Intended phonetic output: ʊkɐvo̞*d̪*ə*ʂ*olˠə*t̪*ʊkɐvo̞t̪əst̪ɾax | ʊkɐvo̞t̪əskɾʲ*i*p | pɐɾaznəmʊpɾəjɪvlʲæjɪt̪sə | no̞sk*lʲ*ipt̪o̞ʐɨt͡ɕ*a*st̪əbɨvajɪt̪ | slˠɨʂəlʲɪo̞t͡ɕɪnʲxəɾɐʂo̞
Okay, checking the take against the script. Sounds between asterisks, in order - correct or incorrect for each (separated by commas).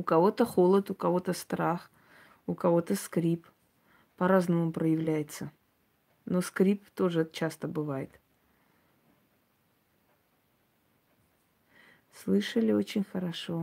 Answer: incorrect, incorrect, correct, correct, incorrect, correct